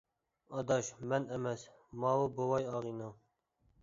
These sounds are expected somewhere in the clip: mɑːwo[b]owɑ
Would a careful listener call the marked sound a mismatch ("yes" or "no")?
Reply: no